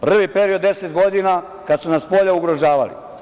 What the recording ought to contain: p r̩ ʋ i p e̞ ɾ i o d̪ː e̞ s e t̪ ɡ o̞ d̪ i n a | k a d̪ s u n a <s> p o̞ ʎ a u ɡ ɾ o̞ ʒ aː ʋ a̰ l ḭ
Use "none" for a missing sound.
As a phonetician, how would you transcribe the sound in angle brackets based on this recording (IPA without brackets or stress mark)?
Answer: s